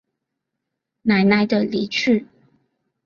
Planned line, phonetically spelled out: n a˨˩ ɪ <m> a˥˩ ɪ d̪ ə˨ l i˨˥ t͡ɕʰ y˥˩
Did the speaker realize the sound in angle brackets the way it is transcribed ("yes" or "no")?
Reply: no